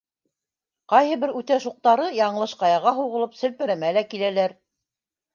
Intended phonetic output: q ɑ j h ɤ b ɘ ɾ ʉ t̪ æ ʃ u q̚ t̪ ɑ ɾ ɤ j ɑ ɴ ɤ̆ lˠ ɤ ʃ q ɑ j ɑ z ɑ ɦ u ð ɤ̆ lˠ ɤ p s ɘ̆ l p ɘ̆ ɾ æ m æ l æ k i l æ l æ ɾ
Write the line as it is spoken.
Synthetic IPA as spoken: q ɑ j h ɤ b ɘ ɾ ʉ t̪ æ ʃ u q̚ t̪ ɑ ɾ ɤ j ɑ ɴ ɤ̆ lˠ ɤ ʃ q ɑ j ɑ ʁ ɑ ɦ u ʁ ɤ̆ lˠ ɤ p s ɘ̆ l p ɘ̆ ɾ æ m æ l æ k i l æ l æ ɾ